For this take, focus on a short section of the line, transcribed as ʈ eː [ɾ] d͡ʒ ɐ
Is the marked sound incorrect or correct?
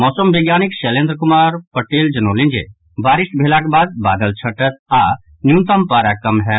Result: incorrect